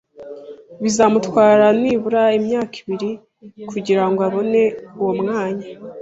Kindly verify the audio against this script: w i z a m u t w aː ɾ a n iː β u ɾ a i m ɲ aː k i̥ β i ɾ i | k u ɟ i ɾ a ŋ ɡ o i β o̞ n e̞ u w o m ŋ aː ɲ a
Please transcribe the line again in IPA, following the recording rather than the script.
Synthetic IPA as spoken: β i z a m u t w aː ɾ a n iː β u ɾ a i m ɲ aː k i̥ β i ɾ i | k u ɟ i ɾ a ŋ ɡ o a β o̞ n e̞ u w o m ŋ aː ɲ a